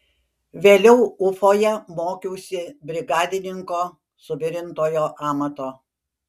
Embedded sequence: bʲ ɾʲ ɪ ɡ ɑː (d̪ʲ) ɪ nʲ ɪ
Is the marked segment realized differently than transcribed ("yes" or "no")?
no